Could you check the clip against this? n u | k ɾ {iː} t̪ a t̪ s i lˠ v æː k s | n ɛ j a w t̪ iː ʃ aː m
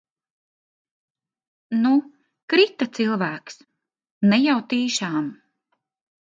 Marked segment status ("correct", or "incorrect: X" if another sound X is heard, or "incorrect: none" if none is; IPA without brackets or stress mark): incorrect: i